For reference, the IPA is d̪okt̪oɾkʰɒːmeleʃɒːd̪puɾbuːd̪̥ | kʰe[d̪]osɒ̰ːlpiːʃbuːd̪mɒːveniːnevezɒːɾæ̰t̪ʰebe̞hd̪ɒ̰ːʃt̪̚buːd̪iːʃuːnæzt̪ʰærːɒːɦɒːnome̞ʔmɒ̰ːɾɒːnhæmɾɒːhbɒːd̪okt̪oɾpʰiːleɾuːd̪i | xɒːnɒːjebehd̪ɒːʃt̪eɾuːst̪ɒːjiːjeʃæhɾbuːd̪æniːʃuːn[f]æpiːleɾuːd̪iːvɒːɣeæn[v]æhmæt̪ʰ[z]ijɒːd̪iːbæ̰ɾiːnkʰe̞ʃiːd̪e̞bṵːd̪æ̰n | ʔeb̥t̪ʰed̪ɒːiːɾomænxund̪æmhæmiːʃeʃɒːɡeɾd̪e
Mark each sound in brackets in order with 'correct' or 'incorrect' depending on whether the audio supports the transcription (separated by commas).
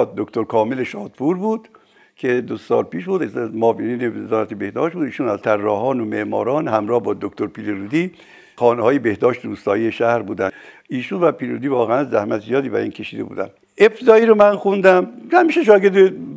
correct, incorrect, incorrect, correct